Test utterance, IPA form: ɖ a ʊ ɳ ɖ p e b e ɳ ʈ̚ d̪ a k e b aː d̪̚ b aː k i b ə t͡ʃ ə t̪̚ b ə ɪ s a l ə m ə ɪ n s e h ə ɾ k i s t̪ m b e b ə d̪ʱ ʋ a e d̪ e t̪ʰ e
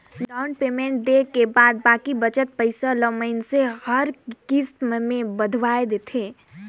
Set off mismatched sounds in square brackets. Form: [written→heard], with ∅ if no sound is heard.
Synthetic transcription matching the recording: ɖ a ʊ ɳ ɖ p e [b→m] e ɳ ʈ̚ d̪ [a→e] k e b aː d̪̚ b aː k i b ə t͡ʃ ə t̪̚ [b→p] ə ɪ s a l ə m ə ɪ n s e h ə ɾ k i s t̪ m [b→m] e b ə d̪ʱ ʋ a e d̪ e t̪ʰ e